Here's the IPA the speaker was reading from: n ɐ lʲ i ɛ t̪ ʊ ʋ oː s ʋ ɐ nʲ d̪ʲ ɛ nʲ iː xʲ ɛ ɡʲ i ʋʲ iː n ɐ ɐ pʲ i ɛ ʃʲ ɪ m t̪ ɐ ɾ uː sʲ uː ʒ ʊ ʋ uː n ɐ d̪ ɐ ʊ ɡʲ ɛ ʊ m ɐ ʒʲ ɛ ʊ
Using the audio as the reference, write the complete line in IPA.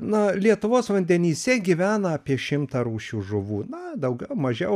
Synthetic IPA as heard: n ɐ lʲ i ɛ t̪ ʊ ʋ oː s ʋ ɐ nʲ d̪ʲ ɛ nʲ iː sʲ ɛ ɡʲ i ʋʲ æː n ɐ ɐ pʲ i ɛ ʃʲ ɪ m t̪ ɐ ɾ uː ʃʲ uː ʒ ʊ ʋ uː n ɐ d̪ ɐ ʊ ɡʲ ɛ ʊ m ɐ ʒʲ ɛ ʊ